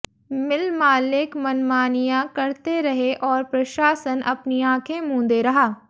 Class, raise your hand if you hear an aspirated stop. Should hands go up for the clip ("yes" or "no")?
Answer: yes